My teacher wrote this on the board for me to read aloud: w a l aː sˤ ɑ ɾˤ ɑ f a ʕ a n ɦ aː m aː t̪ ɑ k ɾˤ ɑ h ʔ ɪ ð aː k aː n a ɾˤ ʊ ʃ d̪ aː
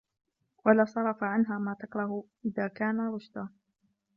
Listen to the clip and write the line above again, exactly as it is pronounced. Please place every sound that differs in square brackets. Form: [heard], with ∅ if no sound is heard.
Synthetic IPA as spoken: w a l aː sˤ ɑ ɾˤ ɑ f a ʕ a n ɦ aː m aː t̪ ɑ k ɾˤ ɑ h ʔ ɪ ð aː k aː n a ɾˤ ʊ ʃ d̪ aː